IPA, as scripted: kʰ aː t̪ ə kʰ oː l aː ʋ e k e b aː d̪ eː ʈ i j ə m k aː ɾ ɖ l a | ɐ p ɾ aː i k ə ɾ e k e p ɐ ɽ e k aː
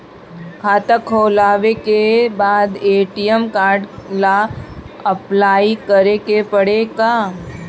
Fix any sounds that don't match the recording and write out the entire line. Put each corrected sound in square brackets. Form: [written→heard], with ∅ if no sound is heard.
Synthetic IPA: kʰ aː t̪ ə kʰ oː l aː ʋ e k e b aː d̪ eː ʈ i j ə m k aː ɾ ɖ l a | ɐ p [ɾ→l] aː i k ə ɾ e k e p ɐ ɽ e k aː